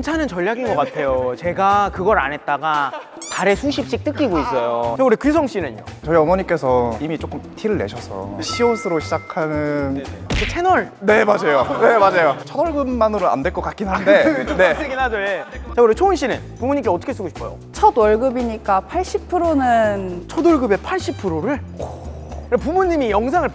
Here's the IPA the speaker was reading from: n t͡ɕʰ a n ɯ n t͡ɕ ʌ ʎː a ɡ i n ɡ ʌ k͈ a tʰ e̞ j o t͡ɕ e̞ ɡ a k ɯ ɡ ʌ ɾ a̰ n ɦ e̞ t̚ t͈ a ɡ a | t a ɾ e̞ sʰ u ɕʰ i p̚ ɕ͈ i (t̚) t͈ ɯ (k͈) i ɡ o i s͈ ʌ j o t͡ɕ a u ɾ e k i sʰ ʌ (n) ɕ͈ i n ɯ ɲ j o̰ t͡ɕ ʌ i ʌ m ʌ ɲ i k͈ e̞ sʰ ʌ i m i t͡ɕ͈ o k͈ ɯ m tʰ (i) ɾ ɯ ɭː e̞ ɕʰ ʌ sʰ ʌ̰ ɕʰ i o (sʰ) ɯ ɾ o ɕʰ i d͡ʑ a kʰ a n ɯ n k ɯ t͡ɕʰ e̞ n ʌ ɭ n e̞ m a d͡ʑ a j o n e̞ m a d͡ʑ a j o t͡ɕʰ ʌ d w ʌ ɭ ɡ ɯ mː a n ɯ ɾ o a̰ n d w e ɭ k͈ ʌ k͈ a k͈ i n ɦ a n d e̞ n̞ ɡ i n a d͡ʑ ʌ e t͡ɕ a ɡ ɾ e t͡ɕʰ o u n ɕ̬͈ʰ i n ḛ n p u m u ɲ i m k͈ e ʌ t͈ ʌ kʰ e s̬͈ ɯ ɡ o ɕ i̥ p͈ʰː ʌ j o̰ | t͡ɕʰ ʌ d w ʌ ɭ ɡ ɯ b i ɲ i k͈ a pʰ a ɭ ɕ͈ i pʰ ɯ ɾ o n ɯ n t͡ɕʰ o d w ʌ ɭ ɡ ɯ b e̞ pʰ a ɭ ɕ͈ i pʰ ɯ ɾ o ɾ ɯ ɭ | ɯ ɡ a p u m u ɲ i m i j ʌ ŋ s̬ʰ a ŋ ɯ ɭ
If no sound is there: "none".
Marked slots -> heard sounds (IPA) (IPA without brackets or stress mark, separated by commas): k̚, k͈, ŋ, i, sʰ